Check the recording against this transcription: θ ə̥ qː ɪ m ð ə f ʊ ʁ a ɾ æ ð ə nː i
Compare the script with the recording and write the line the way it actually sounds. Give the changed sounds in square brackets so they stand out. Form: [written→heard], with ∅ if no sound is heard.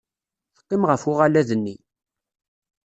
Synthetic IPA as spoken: θ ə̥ qː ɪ m [ð→ʁ] ə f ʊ ʁ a [ɾ→l] æ ð ə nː i